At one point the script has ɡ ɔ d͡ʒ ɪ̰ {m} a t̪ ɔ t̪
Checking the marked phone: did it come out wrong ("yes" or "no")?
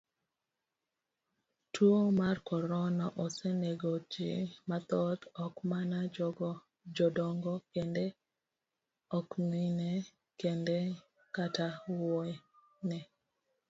no